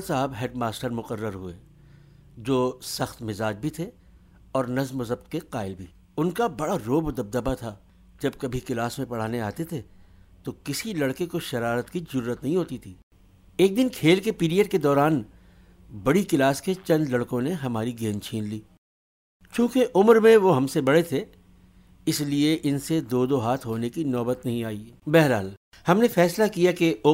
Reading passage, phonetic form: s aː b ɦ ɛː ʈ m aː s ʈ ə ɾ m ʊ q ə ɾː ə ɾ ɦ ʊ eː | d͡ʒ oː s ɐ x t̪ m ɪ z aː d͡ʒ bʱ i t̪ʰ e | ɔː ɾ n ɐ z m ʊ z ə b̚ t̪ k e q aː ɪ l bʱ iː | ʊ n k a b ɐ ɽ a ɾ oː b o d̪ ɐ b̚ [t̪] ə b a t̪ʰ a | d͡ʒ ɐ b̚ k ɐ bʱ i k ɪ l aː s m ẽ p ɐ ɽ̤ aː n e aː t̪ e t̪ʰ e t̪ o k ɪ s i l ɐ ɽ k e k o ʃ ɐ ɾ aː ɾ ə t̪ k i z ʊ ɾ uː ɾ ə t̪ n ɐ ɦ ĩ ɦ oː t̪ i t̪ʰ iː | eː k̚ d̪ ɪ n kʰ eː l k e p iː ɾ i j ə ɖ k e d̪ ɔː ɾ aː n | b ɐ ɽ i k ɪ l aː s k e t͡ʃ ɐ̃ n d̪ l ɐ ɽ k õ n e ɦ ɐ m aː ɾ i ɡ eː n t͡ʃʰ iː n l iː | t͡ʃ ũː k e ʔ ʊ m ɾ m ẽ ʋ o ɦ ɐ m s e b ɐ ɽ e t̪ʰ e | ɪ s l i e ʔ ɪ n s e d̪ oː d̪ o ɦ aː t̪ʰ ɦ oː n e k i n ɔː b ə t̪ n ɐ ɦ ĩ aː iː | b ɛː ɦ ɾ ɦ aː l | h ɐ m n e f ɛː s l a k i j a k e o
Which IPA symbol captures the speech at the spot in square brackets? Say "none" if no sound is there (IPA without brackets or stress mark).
d̪